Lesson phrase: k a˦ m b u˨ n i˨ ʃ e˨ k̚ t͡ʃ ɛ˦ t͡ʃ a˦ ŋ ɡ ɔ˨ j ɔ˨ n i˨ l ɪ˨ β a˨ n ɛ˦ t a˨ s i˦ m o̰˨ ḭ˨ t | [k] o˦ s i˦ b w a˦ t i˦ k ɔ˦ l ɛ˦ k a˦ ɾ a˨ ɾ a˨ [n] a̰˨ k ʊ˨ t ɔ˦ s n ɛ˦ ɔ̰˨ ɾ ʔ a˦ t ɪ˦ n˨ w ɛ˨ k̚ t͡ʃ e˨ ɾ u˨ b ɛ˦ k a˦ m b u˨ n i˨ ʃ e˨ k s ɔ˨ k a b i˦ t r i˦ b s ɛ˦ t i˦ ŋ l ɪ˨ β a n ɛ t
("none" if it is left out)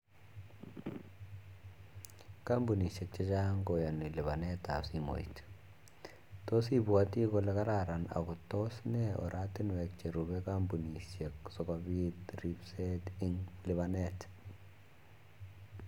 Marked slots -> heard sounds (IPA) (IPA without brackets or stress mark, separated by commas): t, n